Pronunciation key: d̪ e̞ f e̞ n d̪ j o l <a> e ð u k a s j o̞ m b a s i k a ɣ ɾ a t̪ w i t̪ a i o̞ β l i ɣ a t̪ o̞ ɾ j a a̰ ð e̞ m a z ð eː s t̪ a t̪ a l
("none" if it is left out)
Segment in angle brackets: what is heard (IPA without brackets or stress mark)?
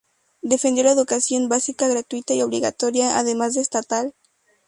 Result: a